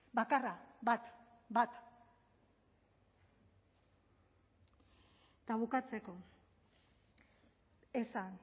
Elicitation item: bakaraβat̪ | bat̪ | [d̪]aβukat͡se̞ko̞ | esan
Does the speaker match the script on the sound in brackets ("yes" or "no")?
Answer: no